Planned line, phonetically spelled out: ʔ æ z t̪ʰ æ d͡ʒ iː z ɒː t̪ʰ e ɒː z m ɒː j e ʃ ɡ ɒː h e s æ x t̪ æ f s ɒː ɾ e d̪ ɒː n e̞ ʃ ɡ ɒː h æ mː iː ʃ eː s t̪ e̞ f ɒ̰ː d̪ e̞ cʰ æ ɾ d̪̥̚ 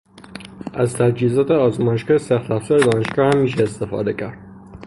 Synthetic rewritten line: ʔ æ z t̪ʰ æ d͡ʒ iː z ɒː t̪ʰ e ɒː z m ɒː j e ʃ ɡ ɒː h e s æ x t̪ æ f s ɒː ɾ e d̪ ɒː n e̞ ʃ ɡ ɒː h æ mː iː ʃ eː s t̪ e̞ f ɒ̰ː d̪ e̞ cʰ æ ɾ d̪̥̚